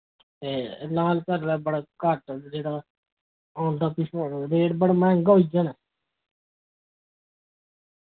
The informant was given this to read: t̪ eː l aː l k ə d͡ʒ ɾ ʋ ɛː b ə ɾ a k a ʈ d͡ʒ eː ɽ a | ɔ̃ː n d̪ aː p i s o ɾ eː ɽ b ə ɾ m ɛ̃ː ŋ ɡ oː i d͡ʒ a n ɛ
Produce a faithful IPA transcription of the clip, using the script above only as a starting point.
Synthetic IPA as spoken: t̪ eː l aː l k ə ɾ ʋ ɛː b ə ɽ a k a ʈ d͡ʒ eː ɽ a | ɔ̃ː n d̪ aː p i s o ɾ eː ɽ b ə ɽ m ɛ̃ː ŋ ɡ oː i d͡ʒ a n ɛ